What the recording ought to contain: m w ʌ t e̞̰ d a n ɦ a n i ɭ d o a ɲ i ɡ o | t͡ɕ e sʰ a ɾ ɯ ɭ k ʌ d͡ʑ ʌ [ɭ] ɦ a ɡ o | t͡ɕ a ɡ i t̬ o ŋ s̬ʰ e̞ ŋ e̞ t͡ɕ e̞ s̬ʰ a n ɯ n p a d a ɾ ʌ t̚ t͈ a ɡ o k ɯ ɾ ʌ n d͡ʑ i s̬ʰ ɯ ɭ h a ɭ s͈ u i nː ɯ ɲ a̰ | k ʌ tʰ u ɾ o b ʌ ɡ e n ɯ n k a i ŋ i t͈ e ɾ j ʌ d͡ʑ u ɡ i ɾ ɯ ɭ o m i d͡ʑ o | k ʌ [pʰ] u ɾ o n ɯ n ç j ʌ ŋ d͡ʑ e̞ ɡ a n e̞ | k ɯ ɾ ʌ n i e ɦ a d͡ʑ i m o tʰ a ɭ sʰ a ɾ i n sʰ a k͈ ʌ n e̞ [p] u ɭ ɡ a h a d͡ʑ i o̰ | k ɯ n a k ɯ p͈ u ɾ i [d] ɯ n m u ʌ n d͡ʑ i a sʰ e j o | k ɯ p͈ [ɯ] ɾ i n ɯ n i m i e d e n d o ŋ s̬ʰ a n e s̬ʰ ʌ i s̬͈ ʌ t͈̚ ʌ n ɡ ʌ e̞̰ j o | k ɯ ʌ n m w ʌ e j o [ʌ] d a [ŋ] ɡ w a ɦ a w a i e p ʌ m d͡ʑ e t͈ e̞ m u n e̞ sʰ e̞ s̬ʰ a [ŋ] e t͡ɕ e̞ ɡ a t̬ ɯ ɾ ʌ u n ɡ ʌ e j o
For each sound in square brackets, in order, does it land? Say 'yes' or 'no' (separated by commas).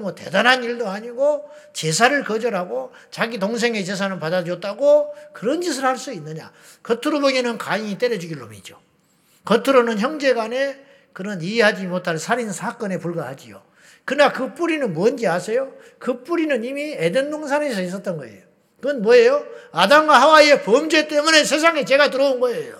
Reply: no, no, yes, no, no, no, no, yes